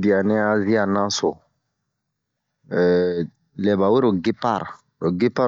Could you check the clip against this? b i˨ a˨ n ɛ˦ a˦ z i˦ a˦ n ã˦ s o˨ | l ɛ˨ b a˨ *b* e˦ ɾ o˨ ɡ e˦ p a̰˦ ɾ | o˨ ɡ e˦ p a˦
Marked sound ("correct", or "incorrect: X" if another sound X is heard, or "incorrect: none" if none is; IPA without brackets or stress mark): incorrect: w